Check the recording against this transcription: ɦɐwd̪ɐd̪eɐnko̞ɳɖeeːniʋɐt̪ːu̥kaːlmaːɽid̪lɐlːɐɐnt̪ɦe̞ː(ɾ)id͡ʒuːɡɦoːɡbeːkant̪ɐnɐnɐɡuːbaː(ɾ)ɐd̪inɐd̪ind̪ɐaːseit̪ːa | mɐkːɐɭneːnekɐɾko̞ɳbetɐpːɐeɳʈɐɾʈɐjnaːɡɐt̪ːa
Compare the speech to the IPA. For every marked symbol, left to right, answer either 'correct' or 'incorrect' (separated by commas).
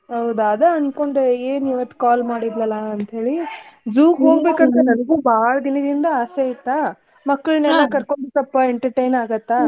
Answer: incorrect, incorrect